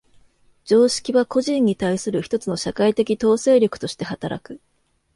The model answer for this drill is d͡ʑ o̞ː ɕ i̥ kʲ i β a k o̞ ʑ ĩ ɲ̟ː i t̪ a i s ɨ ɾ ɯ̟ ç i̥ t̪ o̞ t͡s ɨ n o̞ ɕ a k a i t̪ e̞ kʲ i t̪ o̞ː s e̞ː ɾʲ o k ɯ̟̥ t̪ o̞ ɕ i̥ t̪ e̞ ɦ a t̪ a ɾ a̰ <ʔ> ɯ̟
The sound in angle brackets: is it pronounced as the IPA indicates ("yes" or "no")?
no